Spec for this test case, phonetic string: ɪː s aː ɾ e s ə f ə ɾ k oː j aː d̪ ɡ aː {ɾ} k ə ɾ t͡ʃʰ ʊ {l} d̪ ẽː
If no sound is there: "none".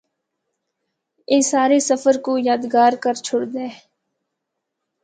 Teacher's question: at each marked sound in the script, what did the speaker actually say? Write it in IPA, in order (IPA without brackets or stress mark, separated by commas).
ɾ, ɽ